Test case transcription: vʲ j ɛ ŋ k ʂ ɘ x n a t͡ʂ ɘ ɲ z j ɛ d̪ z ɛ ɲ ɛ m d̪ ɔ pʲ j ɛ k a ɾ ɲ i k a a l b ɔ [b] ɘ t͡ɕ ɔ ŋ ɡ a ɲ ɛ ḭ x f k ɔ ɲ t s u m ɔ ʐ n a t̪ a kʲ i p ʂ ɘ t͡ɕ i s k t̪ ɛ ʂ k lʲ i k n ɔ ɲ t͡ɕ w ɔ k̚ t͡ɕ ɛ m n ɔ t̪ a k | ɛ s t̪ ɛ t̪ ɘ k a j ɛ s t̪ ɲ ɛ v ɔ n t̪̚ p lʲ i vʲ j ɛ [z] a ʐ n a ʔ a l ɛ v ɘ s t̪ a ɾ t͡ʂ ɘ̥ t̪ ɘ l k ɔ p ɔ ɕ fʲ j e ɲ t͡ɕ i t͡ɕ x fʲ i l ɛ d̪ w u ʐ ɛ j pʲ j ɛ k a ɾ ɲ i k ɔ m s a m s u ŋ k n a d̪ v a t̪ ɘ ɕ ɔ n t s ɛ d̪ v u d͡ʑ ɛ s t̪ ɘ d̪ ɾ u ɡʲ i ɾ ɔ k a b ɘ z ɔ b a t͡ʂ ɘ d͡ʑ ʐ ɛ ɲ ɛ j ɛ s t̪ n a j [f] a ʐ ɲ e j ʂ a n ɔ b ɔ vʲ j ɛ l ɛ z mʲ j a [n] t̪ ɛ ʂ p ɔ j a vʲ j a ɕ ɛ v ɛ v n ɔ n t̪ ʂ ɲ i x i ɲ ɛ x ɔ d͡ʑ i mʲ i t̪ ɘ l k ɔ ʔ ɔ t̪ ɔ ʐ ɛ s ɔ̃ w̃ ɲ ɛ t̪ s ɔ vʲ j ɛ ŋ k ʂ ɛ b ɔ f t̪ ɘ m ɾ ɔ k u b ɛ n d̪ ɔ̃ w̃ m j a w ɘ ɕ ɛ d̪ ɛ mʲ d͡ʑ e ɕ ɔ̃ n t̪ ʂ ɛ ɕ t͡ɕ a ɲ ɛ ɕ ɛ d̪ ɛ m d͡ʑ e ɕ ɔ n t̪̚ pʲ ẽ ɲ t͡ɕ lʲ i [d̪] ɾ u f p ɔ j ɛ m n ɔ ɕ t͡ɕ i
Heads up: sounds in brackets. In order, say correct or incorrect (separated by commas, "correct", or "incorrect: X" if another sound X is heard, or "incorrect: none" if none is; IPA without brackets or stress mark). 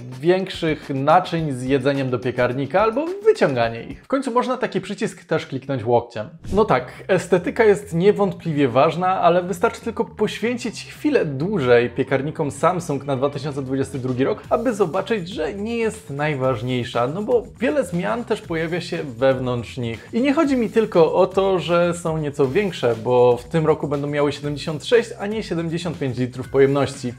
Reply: incorrect: v, incorrect: v, incorrect: v, correct, incorrect: t̪